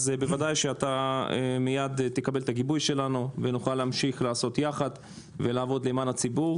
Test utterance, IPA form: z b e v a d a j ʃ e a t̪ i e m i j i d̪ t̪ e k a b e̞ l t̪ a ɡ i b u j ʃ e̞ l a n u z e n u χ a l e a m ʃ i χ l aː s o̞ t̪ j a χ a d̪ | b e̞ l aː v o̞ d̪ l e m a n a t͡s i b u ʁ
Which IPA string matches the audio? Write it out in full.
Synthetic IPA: z b e v a d a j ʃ e a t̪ a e m i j a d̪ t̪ e k a b e̞ l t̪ a ɡ i b u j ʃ e̞ l a n u v e n u χ a l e a m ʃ i χ l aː s o̞ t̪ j a χ a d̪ | v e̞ l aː v o̞ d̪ l e m a n a t͡s i b u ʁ